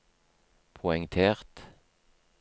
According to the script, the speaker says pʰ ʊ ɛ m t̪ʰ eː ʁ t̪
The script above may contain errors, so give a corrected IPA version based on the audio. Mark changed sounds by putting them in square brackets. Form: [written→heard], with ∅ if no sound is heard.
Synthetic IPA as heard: pʰ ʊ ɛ [m→ŋ] t̪ʰ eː ʁ t̪